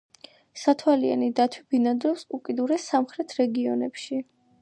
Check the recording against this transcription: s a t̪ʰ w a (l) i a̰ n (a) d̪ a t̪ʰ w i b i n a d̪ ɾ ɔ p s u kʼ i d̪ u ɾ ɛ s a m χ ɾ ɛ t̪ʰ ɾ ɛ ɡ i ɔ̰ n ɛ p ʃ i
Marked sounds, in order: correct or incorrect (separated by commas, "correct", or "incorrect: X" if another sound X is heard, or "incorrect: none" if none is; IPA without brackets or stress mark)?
correct, incorrect: i